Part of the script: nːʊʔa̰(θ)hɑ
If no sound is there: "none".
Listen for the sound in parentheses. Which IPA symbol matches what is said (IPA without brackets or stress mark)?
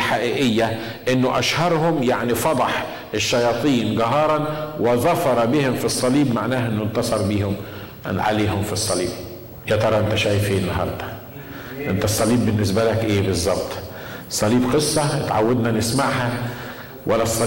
ʃ